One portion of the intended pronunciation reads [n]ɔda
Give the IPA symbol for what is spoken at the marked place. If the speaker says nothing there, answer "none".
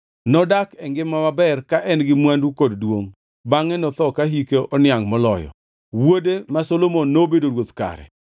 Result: n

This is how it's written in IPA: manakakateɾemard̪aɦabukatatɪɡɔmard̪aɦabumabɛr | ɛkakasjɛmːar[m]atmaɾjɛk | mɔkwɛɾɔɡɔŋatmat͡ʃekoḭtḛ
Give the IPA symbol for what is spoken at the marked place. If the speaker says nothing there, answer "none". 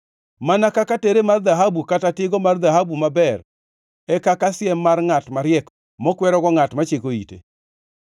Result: ŋ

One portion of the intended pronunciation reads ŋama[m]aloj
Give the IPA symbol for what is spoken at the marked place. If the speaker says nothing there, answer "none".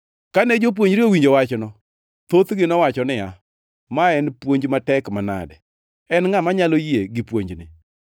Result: ɲ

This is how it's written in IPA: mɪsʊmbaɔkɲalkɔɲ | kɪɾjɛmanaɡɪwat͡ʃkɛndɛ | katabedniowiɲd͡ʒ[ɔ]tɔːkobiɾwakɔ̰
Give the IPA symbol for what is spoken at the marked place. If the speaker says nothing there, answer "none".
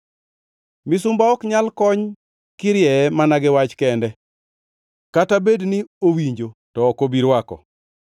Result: o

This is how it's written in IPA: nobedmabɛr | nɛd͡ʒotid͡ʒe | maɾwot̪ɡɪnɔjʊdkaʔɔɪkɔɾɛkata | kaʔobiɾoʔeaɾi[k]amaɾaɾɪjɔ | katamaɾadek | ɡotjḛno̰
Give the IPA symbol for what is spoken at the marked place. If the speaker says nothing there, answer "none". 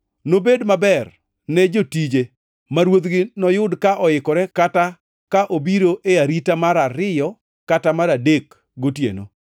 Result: t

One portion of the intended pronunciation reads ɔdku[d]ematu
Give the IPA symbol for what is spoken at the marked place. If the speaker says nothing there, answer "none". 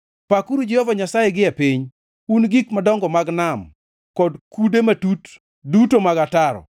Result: d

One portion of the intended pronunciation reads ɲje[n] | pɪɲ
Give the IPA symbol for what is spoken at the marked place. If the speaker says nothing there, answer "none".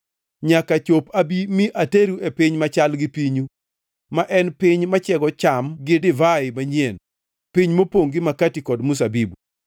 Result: n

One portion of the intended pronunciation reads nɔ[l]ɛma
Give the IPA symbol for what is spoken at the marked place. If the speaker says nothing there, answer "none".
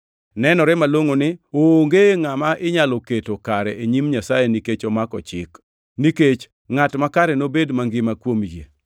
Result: ɾ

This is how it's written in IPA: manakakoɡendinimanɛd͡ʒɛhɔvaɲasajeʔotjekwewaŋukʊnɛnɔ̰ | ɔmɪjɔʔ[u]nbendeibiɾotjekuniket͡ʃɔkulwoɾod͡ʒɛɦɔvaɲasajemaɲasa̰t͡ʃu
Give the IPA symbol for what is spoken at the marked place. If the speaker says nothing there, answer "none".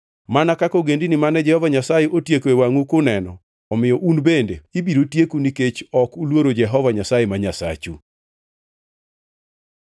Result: u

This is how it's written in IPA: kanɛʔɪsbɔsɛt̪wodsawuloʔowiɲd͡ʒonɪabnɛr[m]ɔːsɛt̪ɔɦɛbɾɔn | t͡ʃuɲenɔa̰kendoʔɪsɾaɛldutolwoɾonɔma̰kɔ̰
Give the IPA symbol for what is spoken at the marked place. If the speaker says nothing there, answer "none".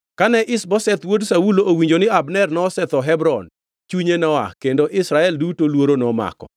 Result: n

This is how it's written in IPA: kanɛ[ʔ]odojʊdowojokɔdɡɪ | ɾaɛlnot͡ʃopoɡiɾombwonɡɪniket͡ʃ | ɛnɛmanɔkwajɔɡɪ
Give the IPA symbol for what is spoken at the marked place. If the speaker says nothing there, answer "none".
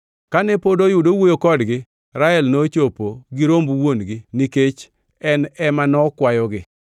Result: p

